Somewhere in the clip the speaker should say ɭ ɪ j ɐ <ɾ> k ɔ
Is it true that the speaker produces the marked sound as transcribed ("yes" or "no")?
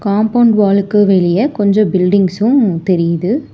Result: no